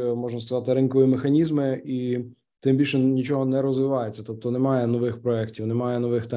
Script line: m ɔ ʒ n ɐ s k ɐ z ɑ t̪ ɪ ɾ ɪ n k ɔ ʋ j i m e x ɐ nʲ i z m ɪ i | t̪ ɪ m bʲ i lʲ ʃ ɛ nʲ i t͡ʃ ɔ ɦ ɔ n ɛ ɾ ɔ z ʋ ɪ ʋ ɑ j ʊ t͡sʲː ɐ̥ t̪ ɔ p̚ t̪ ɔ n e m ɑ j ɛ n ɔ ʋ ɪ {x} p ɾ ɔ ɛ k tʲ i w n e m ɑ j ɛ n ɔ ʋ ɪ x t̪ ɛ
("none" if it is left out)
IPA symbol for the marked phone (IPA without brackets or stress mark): x